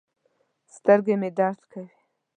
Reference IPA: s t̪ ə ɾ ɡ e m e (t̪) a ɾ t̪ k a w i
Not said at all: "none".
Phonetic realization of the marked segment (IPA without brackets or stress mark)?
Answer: d̪